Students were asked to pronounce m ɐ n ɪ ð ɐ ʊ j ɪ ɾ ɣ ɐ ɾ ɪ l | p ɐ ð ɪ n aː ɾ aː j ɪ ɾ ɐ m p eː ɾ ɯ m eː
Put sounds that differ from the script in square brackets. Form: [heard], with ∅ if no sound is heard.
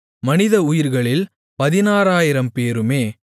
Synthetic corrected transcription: m ɐ n ɪ ð ɐ ʊ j ɪ ɾ ɣ ɐ [ɭ] ɪ l | p ɐ ð ɪ n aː ɾ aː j ɪ ɾ ɐ m p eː ɾ ɯ m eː